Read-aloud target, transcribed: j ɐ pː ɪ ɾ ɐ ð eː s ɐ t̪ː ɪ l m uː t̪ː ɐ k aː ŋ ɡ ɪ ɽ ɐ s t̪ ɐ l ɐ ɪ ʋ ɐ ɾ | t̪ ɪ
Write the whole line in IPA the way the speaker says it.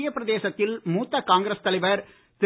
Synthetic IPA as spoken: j ɐ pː ɪ ɾ ɐ ð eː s ɐ t̪ː ɪ l m uː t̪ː ɐ k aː ŋ ɡ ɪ ɾ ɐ s t̪ ɐ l ɐ ɪ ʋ ɐ ɾ | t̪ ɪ